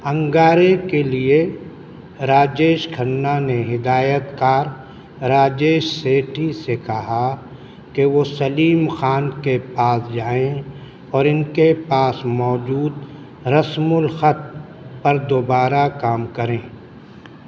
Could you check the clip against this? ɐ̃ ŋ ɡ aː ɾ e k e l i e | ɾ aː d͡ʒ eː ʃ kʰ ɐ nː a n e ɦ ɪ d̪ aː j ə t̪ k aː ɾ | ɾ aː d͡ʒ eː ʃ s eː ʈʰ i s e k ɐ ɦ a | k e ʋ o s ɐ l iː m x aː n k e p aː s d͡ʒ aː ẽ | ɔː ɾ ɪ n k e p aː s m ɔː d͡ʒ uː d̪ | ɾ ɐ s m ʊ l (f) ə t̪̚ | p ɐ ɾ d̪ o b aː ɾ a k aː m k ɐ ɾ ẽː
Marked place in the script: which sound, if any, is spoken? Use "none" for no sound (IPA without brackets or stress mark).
x